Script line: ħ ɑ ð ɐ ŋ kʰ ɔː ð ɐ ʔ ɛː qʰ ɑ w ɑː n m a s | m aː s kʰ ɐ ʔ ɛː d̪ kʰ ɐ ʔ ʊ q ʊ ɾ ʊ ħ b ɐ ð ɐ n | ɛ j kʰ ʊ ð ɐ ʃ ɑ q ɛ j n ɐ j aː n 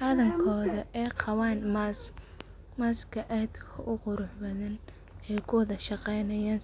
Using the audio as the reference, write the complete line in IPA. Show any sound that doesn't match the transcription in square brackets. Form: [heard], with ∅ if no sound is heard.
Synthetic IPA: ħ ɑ ð ɐ ŋ kʰ ɔː ð ɐ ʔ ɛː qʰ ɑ w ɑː n m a s | m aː s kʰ ɐ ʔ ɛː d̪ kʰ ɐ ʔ ʊ q ʊ ɾ ʊ ħ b ɐ ð ɐ n | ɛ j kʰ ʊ ð ɐ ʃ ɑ q ɛ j n ɐ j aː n